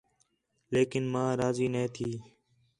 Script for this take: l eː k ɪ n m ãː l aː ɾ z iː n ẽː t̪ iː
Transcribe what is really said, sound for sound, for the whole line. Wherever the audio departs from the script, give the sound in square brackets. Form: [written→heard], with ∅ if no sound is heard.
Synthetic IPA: l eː k ɪ n m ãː [l→ɾ] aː [ɾ→∅] z iː n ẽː [t̪→t̪ʰ] iː